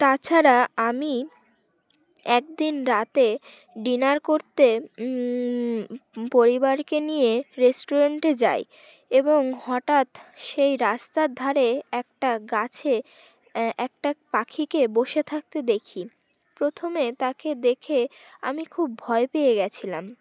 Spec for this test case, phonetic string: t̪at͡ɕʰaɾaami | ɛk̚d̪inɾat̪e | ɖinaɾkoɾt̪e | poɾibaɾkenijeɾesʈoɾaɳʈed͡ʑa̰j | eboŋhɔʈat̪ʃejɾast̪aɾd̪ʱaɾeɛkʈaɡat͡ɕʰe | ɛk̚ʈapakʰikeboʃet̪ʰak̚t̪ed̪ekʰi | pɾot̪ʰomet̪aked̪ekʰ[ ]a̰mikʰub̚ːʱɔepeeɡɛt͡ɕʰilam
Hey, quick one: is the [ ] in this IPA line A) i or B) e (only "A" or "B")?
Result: B